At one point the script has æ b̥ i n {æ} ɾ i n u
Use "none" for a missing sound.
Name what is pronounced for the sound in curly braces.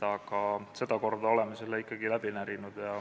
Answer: æ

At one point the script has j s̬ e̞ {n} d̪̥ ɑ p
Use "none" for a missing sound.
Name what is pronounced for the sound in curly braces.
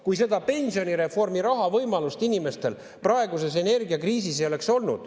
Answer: none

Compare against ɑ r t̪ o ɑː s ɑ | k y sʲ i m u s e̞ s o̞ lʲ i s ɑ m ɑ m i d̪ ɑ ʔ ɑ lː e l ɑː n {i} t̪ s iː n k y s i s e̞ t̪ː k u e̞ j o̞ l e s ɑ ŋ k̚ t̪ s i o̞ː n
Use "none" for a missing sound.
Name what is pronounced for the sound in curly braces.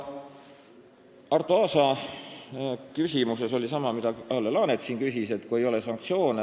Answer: e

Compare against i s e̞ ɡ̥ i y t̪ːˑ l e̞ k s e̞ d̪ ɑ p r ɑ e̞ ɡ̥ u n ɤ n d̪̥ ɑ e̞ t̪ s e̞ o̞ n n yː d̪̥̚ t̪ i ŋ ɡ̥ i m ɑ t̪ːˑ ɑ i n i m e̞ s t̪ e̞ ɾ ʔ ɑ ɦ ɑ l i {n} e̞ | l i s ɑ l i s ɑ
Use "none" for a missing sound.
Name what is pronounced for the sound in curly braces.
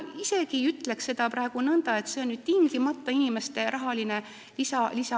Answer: n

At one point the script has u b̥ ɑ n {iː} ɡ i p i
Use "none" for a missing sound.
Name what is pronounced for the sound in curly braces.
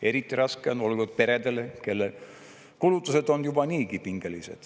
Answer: iː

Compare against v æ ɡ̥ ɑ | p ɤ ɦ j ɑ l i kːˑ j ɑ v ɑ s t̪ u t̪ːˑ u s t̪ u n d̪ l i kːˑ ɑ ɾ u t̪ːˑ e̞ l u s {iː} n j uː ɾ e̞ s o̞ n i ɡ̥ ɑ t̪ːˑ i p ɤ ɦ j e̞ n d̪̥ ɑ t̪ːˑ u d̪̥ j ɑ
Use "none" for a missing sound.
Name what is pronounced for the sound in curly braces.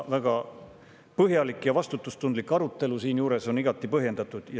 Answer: iː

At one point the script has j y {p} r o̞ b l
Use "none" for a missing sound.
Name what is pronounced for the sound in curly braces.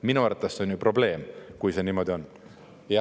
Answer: p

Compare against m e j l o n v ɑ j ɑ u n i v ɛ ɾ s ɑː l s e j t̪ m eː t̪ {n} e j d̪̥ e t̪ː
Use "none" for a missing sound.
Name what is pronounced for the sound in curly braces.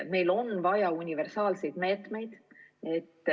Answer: m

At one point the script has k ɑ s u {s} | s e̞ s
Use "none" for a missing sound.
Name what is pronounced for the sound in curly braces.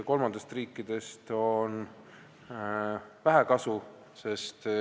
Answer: none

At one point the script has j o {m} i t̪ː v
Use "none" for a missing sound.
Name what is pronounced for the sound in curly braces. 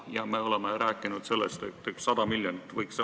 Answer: n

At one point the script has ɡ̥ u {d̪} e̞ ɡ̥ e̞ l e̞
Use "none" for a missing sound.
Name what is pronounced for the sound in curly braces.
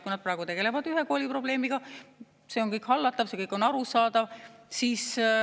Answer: t̪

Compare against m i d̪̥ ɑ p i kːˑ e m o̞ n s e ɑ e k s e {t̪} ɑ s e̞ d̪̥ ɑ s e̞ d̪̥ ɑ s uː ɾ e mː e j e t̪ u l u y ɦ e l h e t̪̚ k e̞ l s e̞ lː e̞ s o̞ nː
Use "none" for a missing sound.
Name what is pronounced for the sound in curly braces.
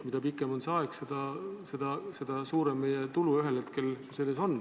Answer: d̪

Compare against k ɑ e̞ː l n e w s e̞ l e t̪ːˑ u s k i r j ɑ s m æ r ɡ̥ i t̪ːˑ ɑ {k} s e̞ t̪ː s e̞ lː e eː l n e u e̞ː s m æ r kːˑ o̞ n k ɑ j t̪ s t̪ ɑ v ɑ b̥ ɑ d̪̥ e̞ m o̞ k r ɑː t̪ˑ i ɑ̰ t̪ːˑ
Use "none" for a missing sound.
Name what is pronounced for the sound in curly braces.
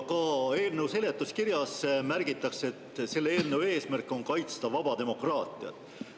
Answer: k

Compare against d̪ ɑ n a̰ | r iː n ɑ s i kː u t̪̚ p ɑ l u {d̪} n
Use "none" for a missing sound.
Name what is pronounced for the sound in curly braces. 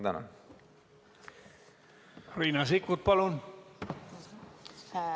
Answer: none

